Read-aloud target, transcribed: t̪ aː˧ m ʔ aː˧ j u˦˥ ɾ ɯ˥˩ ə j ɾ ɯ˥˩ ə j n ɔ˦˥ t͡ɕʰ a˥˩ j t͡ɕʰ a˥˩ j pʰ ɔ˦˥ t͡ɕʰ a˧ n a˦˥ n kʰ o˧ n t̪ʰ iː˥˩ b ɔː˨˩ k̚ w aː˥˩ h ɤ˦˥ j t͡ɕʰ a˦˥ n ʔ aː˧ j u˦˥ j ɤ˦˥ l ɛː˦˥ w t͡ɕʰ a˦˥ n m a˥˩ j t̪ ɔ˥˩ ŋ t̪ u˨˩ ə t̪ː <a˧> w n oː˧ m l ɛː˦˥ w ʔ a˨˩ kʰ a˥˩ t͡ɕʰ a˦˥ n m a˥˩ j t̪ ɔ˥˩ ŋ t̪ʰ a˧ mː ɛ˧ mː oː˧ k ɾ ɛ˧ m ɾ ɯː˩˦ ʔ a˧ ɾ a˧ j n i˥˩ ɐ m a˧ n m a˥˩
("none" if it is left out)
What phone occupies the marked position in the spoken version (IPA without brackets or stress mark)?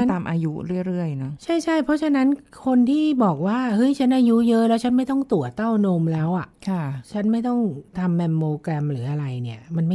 a˥˩